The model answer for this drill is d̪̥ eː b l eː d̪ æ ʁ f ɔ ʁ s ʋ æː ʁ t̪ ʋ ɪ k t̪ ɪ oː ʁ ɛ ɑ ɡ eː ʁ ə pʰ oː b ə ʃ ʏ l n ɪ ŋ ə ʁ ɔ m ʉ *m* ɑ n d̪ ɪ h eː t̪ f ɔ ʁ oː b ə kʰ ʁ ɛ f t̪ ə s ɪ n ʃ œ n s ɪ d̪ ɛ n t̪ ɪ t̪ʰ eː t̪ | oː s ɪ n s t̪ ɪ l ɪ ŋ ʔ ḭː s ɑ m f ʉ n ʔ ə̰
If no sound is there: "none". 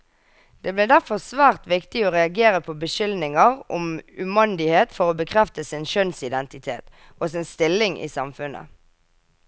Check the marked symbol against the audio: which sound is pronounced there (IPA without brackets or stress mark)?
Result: m